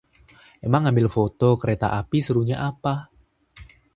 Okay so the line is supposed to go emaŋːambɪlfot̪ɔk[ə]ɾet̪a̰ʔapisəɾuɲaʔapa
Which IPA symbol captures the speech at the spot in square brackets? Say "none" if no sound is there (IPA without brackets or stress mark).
ə